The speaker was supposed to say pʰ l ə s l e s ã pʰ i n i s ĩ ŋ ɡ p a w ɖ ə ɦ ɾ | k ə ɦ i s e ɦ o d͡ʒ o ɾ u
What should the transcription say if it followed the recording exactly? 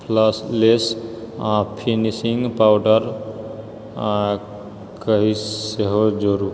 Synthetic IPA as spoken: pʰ l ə s l e s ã pʰ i n i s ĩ ŋ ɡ p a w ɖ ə ɾ | k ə ɦ i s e ɦ o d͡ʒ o ɾ u